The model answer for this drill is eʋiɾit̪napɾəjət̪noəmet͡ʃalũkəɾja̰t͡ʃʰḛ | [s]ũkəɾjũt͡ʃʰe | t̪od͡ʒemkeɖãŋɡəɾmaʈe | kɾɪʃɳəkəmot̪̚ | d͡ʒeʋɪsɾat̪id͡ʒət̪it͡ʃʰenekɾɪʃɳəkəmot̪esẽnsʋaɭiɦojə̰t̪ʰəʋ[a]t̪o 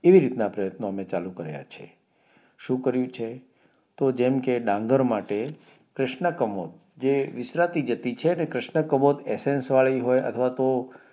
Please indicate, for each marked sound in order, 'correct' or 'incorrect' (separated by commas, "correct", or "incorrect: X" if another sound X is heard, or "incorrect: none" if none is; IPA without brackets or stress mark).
incorrect: ʃ, correct